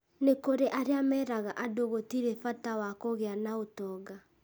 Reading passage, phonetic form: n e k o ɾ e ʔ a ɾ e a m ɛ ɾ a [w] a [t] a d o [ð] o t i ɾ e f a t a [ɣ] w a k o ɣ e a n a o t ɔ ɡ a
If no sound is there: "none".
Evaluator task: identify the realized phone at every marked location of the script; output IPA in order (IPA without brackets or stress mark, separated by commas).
ɣ, ʔ, ɣ, none